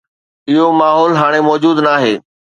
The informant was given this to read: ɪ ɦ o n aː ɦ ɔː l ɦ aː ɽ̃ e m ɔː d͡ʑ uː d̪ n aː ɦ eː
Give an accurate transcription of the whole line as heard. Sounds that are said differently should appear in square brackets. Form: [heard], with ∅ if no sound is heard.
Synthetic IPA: ɪ ɦ o [m] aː ɦ ɔː l ɦ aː ɽ̃ e m ɔː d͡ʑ uː d̪ n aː ɦ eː